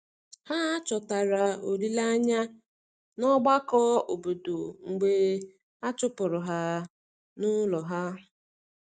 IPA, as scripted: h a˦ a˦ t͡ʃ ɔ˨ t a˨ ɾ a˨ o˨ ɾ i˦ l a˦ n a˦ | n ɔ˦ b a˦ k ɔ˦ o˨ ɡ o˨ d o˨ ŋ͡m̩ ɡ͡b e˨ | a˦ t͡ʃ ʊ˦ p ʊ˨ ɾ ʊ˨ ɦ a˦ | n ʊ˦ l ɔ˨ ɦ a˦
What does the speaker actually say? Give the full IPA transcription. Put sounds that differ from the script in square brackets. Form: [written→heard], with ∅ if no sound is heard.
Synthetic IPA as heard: h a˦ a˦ t͡ʃ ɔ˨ t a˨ ɾ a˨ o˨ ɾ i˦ l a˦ [n→ɲ] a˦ | n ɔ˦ [b→ɡ͡b] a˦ k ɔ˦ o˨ [ɡ→b] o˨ d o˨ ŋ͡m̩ ɡ͡b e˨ | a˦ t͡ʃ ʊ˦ p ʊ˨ ɾ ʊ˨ ɦ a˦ | n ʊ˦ l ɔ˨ ɦ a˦